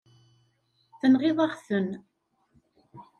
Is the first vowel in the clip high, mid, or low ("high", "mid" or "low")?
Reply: mid